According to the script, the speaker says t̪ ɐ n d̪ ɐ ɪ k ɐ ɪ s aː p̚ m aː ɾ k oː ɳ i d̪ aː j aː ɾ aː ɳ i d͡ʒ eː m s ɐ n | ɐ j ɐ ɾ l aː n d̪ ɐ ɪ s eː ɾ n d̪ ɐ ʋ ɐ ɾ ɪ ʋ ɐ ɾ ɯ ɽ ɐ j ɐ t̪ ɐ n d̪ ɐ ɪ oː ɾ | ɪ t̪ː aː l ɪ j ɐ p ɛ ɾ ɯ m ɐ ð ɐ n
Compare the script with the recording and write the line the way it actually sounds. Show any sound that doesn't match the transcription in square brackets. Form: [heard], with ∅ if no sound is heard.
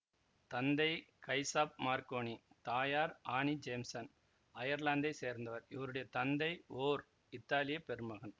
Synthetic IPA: t̪ ɐ n d̪ ɐ ɪ k ɐ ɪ s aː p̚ m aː ɾ k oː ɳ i [t̪] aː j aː ɾ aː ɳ i d͡ʒ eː m s ɐ n | ɐ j ɐ ɾ l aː n d̪ ɐ ɪ s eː ɾ n d̪ ɐ ʋ ɐ ɾ ɪ ʋ ɐ ɾ ɯ ɽ ɐ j ɐ t̪ ɐ n d̪ ɐ ɪ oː ɾ | ɪ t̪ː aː l ɪ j ɐ p ɛ ɾ ɯ m ɐ [ɣ] ɐ n